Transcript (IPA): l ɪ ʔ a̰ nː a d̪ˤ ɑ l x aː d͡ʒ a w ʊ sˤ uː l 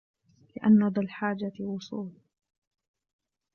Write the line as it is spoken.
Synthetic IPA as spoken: l ɪ ʔ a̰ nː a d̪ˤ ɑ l ħ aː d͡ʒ a w ʊ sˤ uː l